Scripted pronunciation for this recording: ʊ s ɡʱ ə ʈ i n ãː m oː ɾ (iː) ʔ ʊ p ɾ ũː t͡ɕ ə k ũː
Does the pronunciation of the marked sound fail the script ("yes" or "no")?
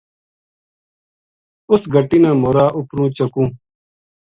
yes